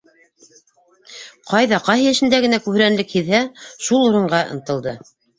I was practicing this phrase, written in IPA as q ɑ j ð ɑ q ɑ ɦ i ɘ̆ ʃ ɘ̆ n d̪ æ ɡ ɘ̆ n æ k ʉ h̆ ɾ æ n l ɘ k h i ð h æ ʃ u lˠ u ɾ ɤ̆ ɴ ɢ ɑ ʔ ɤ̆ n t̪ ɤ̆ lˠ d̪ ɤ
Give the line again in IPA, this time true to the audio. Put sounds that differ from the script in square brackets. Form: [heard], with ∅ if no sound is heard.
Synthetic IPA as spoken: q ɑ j ð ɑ q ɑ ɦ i ɘ̆ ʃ ɘ̆ n d̪ æ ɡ ɘ̆ n æ k ʉ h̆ ɾ æ n l ɘ k h i ð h æ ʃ u lˠ u ɾ ɤ̆ ɴ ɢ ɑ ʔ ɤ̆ n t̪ ɤ̆ lˠ d̪ ɤ